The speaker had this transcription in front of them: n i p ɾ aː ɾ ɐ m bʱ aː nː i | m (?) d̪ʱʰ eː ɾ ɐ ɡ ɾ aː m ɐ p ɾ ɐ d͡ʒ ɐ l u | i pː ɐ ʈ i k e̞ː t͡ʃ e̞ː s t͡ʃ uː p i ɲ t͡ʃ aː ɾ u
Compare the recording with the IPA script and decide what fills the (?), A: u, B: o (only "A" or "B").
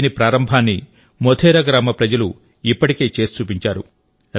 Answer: B